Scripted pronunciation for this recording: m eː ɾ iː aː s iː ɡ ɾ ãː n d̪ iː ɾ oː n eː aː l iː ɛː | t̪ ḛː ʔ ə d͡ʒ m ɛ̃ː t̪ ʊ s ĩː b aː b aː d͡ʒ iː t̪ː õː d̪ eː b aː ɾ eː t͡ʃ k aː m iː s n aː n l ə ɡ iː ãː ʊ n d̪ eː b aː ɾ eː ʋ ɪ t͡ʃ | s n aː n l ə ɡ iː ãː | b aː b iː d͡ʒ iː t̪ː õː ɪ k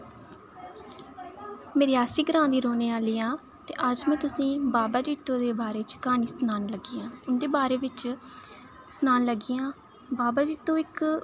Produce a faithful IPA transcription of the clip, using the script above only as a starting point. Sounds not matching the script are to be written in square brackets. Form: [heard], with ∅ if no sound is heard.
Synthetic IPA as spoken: m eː ɾ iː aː s iː ɡ ɾ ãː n d̪ iː ɾ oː n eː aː l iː [aː] | t̪ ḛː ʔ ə d͡ʒ m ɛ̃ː t̪ ʊ s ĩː b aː b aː d͡ʒ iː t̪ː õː d̪ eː b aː ɾ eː t͡ʃ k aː [n] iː s n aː n l ə ɡ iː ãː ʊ n d̪ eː b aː ɾ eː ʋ ɪ t͡ʃ | s n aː n l ə ɡ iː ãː | b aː b [aː] d͡ʒ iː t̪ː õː ɪ k